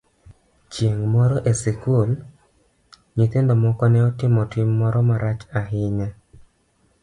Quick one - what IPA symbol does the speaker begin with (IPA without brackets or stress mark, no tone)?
t͡ʃ